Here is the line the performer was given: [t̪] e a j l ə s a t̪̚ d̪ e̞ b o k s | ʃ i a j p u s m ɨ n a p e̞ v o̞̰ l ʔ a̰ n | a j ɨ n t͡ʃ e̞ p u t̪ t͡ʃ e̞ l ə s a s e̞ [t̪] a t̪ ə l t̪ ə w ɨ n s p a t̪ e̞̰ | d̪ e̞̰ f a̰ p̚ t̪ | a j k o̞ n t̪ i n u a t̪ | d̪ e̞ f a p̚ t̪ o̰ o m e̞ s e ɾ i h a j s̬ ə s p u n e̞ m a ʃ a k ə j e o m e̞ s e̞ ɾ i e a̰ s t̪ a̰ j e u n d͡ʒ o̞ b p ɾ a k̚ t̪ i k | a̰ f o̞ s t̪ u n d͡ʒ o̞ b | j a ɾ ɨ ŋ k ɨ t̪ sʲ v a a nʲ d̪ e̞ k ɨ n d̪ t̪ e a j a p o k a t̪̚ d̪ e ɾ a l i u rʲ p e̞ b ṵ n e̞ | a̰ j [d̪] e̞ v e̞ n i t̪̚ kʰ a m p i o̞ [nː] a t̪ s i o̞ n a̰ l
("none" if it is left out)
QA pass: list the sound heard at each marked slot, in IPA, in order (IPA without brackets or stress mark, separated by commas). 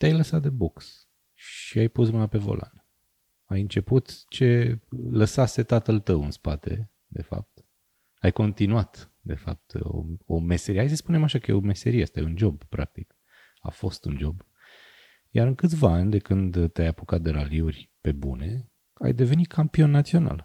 t̪, t̪, d̪, nː